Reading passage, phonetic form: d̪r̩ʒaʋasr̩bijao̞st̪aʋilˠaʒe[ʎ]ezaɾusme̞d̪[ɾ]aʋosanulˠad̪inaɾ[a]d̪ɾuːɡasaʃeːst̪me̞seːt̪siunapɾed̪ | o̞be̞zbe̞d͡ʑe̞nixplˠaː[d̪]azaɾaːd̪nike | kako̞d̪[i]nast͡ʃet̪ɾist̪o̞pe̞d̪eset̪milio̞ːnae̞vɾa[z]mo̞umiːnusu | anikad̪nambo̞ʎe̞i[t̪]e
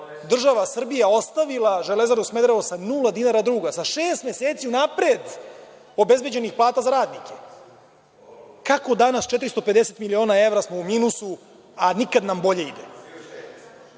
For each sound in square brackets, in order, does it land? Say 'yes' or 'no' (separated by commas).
no, yes, yes, no, no, no, no